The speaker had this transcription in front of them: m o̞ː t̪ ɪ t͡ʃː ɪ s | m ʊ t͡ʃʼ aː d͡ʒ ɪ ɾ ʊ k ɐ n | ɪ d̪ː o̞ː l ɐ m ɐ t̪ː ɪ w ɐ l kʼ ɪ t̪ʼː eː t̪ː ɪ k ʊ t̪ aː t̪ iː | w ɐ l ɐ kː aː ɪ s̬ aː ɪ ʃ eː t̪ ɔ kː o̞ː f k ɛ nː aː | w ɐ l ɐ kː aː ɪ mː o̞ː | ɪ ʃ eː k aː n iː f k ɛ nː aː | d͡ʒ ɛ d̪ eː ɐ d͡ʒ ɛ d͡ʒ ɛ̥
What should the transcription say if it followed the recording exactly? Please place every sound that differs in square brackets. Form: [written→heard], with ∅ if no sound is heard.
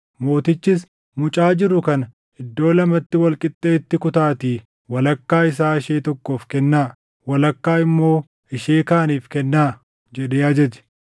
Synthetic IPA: m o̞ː t̪ ɪ t͡ʃː ɪ s | m ʊ t͡ʃʼ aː d͡ʒ ɪ ɾ ʊ k ɐ n | ɪ d̪ː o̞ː l ɐ m ɐ t̪ː ɪ w ɐ l kʼ ɪ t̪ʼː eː t̪ː ɪ k ʊ t̪ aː t̪ iː | w ɐ l ɐ kː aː ɪ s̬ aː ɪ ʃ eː t̪ ɔ kː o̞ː f k ɛ nː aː | w ɐ l ɐ kː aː ɪ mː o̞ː | ɪ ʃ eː k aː n iː f k ɛ nː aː | d͡ʒ ɛ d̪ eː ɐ d͡ʒ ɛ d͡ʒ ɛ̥